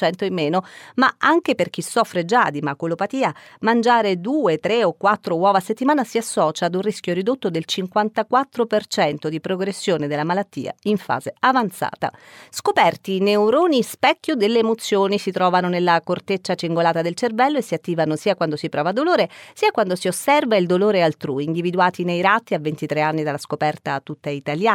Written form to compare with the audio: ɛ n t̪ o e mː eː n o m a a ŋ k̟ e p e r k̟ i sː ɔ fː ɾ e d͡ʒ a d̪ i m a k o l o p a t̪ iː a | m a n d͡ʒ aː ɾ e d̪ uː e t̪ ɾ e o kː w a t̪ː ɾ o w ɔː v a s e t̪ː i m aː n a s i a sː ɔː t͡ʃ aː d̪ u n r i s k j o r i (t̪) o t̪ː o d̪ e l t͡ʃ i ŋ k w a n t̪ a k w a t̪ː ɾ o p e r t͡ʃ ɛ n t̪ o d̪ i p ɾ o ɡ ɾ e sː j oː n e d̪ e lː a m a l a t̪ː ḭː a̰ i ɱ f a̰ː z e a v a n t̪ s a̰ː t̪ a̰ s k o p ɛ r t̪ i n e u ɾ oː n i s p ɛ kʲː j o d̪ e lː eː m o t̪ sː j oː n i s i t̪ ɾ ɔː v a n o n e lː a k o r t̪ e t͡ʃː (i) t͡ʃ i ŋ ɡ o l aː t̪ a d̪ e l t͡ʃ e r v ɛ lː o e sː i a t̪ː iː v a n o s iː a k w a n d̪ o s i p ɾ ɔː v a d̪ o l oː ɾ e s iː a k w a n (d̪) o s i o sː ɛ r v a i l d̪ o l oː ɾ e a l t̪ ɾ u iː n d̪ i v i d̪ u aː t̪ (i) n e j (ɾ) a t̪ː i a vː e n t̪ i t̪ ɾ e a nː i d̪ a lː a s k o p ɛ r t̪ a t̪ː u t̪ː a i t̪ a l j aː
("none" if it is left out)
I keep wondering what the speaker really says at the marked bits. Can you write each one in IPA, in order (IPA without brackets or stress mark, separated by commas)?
d̪, a, d̪, i, ɾ